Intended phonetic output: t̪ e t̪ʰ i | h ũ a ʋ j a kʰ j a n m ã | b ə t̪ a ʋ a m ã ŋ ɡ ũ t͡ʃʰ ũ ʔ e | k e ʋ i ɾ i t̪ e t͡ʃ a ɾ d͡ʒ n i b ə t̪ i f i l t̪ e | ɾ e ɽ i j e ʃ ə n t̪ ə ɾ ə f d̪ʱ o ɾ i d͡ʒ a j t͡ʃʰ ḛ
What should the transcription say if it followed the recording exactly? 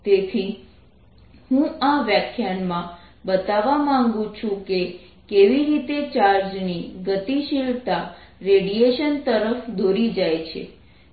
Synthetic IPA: t̪ e t̪ʰ i | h ũ a ʋ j a kʰ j a n m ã | b ə t̪ a ʋ a m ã ŋ ɡ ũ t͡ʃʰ ũ k e | k e ʋ i ɾ i t̪ e t͡ʃ a ɾ d͡ʒ n i ɡ ə t̪ i ʃ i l t̪ a | ɾ e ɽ i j e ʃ ə n t̪ ə ɾ ə f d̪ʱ o ɾ i d͡ʒ a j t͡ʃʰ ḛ